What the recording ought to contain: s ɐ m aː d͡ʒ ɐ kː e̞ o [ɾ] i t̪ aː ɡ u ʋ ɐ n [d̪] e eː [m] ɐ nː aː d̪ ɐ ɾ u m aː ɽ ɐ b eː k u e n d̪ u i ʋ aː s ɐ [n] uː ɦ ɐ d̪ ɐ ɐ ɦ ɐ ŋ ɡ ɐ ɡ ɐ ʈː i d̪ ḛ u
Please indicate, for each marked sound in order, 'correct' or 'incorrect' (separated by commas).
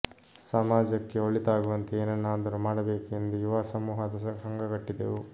incorrect, incorrect, incorrect, incorrect